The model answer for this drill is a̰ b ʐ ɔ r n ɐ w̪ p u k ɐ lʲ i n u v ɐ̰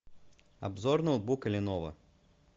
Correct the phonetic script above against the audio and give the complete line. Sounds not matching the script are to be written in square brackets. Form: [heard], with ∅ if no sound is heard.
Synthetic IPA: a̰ b [z] ɔ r n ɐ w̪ [b] u k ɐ lʲ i n [ɔ] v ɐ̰